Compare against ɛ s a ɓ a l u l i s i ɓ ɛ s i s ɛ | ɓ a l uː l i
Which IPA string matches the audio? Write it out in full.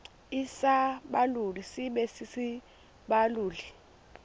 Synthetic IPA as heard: i s a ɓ a l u l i s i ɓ ɛ s i s i | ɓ a l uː l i